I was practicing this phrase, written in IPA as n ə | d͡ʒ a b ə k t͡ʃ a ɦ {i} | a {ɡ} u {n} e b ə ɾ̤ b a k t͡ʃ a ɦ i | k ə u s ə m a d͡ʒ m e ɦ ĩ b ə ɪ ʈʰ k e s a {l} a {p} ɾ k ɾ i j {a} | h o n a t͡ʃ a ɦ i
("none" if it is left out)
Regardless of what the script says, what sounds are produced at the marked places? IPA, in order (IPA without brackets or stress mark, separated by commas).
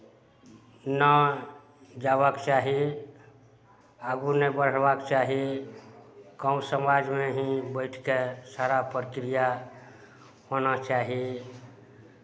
i, ɡ, n, ɾ, p, a